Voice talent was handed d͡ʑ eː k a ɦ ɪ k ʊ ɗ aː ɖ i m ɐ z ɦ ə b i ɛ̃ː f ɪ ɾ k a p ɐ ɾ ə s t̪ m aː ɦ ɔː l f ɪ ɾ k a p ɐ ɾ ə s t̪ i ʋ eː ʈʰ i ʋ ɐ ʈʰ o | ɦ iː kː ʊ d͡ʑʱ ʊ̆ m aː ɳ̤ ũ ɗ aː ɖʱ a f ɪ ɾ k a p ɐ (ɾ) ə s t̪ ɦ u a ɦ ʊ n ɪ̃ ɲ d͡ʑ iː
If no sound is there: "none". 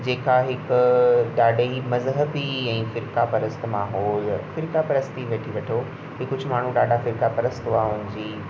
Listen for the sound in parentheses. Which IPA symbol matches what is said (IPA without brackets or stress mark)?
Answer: ɾ